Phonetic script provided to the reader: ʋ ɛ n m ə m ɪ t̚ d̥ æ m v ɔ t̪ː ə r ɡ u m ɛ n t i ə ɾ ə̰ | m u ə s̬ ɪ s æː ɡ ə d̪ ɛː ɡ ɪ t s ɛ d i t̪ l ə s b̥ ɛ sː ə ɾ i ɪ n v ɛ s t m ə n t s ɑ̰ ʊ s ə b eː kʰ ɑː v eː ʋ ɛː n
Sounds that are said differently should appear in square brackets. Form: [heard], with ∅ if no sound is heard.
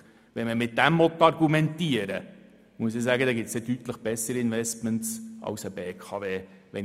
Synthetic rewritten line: ʋ ɛ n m ə m ɪ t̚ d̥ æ m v ɔ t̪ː [ɑ] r ɡ u m ɛ n t i ə ɾ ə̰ | m u ə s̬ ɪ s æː ɡ ə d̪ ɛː ɡ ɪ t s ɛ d [y] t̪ l ə [χ] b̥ ɛ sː ə ɾ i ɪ n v ɛ s t m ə n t s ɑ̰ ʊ s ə b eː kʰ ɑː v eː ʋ [ɛ] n